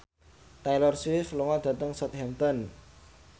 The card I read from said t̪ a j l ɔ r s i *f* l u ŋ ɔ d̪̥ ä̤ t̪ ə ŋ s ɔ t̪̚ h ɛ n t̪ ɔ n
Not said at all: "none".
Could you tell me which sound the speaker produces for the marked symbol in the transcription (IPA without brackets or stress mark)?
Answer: f